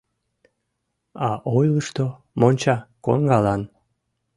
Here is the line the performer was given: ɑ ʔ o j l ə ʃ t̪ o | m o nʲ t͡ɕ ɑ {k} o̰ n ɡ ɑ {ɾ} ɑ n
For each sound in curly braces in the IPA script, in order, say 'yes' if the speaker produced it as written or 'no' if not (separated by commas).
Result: yes, no